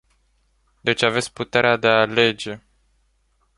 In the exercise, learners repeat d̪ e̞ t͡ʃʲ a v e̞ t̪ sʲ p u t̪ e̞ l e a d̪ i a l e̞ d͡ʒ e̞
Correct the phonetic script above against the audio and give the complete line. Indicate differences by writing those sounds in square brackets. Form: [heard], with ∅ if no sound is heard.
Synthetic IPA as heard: d̪ e̞ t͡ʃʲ a v e̞ t̪ sʲ p u t̪ e̞ [ɾ] e a d̪ [e] a l e̞ d͡ʒ e̞